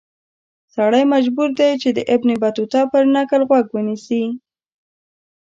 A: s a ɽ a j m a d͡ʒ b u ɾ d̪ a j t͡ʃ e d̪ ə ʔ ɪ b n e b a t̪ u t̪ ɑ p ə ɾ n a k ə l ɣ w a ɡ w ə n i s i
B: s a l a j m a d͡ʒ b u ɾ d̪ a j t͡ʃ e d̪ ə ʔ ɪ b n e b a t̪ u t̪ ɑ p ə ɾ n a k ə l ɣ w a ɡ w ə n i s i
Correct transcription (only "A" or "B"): A